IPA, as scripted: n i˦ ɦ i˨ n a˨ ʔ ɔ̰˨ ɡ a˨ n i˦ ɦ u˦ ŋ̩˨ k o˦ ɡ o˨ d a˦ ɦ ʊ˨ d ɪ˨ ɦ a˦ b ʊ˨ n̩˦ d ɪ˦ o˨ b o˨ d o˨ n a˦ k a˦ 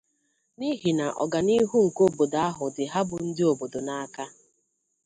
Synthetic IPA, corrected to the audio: n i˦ ɦ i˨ n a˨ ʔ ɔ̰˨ ɡ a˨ n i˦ ɦ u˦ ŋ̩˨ k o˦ b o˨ d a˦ ɦ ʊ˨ d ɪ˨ ɦ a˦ b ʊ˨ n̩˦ d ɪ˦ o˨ b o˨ d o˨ n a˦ k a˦